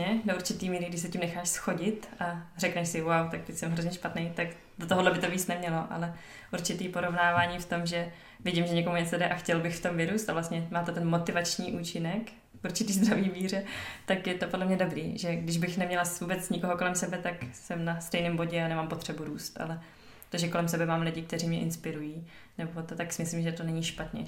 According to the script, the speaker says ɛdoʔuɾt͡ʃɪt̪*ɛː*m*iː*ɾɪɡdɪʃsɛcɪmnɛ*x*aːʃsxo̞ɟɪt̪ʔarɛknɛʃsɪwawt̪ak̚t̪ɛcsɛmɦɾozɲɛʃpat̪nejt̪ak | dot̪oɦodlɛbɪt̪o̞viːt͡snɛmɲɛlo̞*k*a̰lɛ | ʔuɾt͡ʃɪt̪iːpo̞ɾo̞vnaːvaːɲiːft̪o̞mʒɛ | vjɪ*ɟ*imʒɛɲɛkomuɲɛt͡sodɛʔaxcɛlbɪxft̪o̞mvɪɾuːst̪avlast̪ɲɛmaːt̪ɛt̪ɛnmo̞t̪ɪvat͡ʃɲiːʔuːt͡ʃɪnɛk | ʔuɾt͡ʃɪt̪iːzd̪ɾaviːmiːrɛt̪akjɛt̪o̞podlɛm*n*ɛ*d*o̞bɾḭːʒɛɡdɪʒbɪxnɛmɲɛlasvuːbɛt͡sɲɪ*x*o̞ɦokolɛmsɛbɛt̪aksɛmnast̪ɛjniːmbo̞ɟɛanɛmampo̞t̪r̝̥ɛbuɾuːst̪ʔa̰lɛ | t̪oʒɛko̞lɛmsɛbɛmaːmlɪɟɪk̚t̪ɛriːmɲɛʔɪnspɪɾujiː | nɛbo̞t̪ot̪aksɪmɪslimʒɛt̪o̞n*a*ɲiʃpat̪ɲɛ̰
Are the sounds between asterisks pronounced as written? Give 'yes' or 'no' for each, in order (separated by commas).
no, yes, yes, no, yes, no, yes, no, no